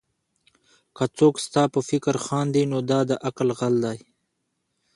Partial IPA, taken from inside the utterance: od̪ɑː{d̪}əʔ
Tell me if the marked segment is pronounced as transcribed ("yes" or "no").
yes